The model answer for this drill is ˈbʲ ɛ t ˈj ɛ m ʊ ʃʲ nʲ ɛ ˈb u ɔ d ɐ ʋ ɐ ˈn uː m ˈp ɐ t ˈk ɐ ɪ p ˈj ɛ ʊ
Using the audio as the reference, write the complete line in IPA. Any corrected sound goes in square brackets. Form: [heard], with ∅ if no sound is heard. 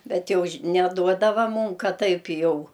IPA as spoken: ˈbʲ ɛ t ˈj ɛ [∅] ʊ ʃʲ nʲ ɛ [ˈd] u ɔ d ɐ ʋ ɐ [ˈm] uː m [ˈk] ɐ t [ˈt] ɐ ɪ p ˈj ɛ ʊ